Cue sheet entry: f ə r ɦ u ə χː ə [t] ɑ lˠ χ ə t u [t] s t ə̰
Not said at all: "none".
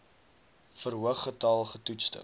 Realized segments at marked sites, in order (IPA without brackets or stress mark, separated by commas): t, t